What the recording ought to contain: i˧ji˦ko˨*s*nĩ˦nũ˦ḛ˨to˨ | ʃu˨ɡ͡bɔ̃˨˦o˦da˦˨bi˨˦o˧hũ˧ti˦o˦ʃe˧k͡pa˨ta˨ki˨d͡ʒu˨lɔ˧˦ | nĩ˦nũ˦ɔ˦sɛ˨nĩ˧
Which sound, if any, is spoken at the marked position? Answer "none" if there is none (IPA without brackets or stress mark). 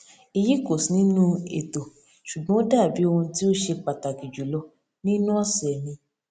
s